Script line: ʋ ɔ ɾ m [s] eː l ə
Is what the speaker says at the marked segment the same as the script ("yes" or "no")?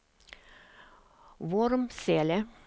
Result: yes